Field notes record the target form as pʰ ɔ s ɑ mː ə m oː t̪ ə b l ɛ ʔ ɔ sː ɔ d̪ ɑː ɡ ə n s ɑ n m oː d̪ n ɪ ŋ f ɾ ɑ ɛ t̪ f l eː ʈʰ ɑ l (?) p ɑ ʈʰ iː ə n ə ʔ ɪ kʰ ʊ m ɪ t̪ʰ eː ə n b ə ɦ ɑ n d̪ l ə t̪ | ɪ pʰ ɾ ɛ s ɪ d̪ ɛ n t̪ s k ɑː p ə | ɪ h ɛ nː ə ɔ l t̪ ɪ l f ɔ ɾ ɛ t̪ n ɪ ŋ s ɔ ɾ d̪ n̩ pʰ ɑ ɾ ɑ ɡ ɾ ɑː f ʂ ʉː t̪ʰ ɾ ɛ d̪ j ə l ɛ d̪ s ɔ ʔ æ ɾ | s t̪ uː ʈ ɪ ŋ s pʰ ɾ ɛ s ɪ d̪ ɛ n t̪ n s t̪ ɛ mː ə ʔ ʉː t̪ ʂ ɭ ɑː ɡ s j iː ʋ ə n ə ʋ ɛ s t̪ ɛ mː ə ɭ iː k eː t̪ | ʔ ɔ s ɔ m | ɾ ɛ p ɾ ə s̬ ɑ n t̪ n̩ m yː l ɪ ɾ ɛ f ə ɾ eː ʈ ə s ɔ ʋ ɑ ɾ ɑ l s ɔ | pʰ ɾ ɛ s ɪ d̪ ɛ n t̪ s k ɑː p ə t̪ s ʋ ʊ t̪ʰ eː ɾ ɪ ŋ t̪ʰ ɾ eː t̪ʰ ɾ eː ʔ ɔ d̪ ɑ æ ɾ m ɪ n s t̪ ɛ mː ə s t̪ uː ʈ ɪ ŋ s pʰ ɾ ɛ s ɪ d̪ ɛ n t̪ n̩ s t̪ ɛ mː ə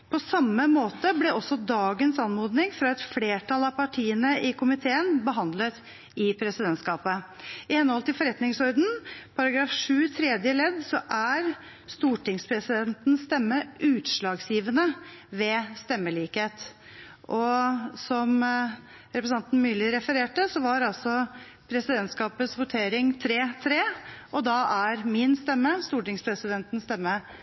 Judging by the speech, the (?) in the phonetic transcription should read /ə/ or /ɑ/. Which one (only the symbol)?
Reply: ɑ